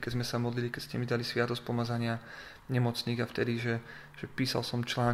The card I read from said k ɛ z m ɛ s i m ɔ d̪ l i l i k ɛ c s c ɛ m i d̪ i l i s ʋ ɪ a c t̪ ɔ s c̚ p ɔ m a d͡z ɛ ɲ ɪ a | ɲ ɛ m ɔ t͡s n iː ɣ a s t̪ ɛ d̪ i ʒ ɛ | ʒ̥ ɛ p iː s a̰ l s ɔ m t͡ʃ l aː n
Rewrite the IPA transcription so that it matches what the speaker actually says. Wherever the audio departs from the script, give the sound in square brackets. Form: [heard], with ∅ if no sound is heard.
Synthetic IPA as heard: k ɛ z m ɛ s [a] m ɔ d̪ l i l i k ɛ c s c ɛ m i d̪ [a] l i s ʋ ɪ a [∅] t̪ ɔ s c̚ p ɔ m a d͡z [a] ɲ ɪ a | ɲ ɛ m ɔ t͡s n iː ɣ a [f] t̪ ɛ d̪ i ʒ ɛ | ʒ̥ ɛ p iː s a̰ l s ɔ m t͡ʃ l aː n